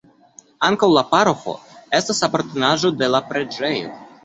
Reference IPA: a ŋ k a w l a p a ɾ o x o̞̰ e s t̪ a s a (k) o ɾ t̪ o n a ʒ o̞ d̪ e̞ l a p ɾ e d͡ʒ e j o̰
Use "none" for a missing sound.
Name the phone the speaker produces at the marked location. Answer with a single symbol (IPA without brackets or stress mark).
p